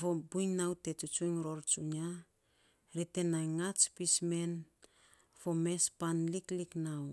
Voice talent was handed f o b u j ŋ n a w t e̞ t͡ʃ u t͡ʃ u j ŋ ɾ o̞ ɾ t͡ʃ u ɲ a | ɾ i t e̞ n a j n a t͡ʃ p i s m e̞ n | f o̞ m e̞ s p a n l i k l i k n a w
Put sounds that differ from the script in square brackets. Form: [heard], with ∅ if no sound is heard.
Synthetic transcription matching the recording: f o b u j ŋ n a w t e̞ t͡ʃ u t͡ʃ u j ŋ ɾ o̞ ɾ t͡ʃ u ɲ a | ɾ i t e̞ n a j [ŋ] a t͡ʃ p i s m e̞ n | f o̞ m e̞ s p a n l i k l i k n a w